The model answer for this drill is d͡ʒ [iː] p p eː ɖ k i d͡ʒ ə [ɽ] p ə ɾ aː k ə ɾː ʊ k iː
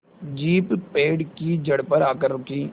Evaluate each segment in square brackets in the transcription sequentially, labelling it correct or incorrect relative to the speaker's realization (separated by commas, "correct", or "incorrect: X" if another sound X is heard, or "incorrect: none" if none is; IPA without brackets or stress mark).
correct, correct